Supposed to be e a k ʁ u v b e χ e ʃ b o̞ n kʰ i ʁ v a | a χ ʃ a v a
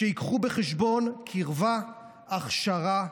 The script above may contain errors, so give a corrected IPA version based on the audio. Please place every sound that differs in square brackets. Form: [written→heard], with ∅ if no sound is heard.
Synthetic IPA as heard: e [a→i] k [ʁ→χ] u [v→∅] b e χ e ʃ b o̞ n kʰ i ʁ v a | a χ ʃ a [v→ʁ] a